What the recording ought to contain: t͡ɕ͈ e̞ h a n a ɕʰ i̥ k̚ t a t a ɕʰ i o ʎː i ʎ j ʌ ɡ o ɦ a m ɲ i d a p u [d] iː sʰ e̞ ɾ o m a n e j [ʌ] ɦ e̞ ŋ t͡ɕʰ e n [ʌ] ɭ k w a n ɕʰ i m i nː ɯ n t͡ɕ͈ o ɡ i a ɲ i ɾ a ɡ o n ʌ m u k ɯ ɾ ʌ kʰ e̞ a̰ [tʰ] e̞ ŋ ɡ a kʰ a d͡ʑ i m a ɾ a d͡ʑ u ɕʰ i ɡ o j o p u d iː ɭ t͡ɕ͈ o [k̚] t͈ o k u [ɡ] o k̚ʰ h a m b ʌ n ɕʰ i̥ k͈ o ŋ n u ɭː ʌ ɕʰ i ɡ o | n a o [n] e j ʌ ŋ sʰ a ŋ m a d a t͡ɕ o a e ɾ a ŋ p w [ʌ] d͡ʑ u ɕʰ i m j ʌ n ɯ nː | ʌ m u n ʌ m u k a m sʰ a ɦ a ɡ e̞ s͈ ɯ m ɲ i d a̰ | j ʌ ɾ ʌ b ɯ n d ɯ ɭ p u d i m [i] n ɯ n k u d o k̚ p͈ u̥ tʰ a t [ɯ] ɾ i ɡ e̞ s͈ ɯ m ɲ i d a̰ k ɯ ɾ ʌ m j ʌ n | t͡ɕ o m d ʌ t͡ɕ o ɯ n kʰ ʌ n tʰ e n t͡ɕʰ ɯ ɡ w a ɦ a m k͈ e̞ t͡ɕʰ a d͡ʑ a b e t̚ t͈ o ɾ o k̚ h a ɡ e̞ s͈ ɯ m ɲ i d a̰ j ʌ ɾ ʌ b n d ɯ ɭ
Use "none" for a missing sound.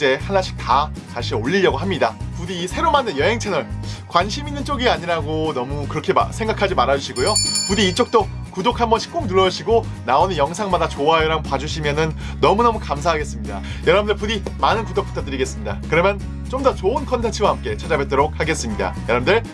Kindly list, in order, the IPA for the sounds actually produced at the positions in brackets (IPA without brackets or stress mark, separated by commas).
d, ʌ, ʌ, sʰ, k̚, d, n, a, a, ɯ